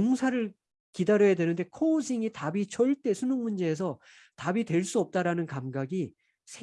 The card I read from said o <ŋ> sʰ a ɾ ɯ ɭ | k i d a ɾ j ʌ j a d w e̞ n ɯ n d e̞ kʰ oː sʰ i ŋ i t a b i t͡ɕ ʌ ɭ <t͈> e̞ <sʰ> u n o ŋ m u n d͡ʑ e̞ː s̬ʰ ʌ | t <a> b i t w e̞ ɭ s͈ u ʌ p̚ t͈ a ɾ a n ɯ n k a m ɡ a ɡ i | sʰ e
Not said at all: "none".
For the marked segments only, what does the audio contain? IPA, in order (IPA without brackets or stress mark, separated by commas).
ŋ, t͈, sʰ, a